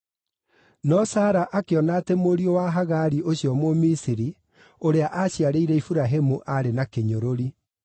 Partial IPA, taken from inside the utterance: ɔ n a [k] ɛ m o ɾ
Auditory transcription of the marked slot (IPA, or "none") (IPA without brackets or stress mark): t